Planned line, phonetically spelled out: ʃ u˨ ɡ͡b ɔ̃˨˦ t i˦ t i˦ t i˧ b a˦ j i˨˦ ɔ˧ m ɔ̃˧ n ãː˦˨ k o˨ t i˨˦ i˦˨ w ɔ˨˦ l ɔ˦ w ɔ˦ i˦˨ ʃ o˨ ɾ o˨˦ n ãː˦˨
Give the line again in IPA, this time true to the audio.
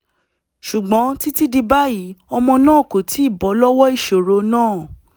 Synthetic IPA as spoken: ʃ u˨ ɡ͡b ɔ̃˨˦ t i˦ t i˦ d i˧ b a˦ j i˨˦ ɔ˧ m ɔ̃˧ n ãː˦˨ k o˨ t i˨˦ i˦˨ b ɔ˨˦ l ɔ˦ w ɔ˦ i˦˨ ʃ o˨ ɾ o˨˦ n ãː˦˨

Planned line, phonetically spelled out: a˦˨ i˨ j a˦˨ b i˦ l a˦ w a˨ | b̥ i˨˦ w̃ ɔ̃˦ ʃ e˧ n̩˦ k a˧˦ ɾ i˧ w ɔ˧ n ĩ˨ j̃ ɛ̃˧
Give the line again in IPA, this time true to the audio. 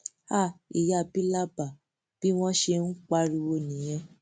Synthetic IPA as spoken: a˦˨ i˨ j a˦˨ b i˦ l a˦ b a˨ | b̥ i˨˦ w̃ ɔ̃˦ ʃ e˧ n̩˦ k͡p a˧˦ ɾ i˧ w o˧ n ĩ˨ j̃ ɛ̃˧

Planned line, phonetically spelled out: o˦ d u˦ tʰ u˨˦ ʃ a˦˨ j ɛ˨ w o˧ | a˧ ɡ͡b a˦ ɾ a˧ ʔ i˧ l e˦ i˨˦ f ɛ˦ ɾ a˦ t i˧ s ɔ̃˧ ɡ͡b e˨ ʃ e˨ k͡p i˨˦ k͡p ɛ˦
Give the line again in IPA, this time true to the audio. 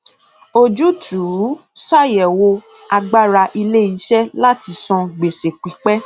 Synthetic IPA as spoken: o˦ d͡ʒ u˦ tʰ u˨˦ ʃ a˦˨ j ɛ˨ w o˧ | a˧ ɡ͡b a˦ ɾ a˧ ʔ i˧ l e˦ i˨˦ ʃ ɛ˦ l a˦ t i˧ s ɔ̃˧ ɡ͡b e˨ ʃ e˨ k͡p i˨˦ k͡p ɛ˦

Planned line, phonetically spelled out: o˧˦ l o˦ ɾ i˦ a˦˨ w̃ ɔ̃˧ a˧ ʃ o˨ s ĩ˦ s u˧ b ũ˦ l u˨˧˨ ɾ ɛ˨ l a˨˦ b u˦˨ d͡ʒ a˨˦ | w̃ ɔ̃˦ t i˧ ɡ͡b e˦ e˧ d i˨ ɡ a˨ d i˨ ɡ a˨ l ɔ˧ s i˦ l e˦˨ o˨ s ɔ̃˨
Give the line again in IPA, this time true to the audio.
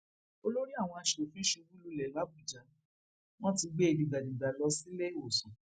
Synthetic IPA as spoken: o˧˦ l o˦ ɾ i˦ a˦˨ w̃ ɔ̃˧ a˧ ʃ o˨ f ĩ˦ ʃ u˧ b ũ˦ l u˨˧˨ l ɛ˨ l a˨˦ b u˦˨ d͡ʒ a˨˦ | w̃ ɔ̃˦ t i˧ ɡ͡b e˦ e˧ d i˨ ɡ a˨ d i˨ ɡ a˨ l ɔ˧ s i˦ l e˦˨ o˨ s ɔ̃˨

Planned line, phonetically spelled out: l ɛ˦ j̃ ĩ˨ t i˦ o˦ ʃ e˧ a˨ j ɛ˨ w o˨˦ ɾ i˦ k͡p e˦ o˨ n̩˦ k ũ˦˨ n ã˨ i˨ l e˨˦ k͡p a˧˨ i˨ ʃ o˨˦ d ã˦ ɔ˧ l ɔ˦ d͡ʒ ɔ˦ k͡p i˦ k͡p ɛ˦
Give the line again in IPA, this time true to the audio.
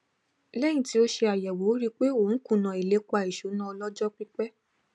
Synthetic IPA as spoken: l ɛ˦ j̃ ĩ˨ t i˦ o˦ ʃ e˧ a˨ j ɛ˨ w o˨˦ ɾ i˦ k͡p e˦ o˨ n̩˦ k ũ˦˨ n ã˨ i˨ l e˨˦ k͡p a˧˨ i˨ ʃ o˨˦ n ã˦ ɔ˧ l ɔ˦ d͡ʒ ɔ˦ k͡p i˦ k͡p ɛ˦

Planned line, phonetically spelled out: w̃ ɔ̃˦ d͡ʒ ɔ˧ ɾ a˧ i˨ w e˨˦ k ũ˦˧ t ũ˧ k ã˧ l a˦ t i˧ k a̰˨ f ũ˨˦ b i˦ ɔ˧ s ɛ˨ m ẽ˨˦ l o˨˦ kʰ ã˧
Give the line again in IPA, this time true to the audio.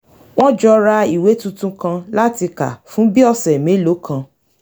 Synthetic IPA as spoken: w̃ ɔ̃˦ d͡ʒ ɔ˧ ɾ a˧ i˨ w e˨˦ t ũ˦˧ t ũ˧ k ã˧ l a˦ t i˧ k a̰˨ f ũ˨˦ b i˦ ɔ˧ s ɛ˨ m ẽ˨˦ l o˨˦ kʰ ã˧

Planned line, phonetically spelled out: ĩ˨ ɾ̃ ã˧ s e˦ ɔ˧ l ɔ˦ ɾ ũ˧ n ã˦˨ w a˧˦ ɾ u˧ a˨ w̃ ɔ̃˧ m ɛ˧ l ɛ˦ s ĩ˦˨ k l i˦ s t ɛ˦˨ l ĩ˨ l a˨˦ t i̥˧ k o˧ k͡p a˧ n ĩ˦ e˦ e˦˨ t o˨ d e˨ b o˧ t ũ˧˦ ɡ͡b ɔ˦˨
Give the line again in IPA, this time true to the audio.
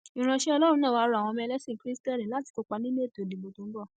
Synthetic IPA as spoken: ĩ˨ ɾ̃ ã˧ ʃ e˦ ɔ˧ l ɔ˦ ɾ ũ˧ n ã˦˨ w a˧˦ ɾ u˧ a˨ w̃ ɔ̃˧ m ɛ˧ l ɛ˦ s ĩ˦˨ k ɾ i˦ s t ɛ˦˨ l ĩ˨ l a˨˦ t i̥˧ k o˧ k͡p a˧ n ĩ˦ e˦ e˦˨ t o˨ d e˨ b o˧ t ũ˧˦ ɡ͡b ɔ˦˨

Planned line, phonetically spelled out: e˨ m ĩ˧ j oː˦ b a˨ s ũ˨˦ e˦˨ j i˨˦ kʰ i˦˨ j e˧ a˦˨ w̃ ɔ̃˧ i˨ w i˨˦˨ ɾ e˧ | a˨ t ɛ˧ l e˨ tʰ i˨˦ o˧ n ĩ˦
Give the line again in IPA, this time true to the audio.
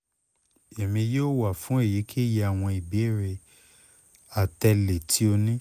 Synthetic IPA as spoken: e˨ m ĩ˧ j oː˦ w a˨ f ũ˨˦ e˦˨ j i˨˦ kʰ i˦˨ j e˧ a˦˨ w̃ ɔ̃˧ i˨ b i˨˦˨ ɾ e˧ | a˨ t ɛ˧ l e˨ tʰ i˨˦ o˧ n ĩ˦

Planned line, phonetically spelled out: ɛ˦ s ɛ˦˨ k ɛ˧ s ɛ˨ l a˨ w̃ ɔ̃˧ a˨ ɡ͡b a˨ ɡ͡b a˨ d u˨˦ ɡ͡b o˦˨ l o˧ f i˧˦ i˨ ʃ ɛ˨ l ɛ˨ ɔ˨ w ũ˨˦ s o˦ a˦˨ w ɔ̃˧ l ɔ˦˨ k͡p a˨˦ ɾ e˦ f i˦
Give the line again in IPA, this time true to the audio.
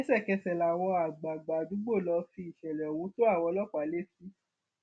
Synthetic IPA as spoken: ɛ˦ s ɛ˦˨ k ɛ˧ s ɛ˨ l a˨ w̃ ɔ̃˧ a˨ ɡ͡b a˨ ɡ͡b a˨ d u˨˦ ɡ͡b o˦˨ l ɔ˧ f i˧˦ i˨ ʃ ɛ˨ l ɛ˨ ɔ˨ w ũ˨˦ t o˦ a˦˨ w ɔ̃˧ l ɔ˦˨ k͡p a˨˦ l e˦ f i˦

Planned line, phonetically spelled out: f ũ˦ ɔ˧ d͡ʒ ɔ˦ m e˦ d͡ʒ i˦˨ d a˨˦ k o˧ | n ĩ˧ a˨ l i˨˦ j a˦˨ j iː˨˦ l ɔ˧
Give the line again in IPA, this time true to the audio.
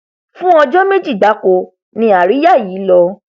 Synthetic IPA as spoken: f ũ˦ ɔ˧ d͡ʒ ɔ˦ m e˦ d͡ʒ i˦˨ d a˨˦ k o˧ | n ĩ˧ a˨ ɾ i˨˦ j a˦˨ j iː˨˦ l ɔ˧

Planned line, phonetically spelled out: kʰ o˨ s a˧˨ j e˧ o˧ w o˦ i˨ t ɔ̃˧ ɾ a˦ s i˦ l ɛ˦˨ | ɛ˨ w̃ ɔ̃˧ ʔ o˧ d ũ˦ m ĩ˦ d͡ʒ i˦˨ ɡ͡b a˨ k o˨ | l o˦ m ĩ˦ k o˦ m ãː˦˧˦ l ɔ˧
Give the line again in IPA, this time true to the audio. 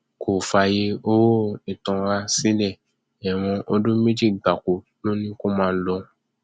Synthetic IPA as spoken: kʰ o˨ f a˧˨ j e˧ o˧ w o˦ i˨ t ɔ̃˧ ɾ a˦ s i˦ l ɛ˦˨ | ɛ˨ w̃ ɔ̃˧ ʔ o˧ d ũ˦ m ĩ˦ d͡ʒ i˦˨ ɡ͡b a˨ k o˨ | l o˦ n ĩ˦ k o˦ m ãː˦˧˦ l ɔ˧

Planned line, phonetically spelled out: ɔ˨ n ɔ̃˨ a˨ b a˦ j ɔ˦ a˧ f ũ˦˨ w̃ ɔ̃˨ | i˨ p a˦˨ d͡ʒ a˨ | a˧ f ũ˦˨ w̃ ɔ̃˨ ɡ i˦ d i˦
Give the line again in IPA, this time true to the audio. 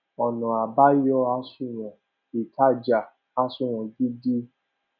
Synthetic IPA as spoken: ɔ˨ n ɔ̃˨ a˨ b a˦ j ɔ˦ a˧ s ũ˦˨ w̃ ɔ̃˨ | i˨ t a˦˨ d͡ʒ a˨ | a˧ s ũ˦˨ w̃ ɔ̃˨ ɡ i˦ d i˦

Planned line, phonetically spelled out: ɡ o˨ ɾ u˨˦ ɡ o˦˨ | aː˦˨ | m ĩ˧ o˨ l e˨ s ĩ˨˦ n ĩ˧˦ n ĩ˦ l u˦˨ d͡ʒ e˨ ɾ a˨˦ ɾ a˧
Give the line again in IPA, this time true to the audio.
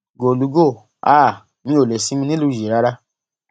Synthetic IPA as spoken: ɡ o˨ l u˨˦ ɡ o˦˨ | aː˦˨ | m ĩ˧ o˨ l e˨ s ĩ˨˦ m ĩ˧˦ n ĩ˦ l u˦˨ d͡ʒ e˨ ɾ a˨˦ ɾ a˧

